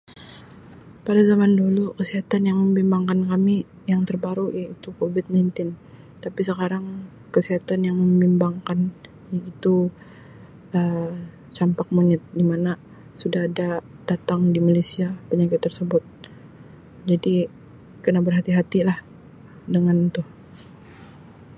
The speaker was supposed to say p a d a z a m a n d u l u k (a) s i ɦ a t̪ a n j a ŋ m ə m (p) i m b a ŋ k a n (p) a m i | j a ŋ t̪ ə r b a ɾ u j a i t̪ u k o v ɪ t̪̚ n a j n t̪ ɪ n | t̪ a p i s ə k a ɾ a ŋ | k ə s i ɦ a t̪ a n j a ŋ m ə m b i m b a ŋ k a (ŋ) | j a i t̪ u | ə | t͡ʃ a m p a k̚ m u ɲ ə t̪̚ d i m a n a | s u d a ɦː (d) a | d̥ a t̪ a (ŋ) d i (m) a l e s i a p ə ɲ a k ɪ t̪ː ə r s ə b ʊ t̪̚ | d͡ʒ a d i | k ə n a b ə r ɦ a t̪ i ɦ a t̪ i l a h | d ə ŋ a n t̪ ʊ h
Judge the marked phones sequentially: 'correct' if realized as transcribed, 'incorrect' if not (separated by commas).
incorrect, incorrect, incorrect, incorrect, correct, correct, correct